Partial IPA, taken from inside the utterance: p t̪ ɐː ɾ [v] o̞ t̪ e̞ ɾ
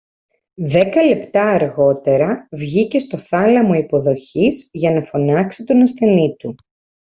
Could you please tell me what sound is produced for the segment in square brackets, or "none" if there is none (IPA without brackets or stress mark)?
ɣ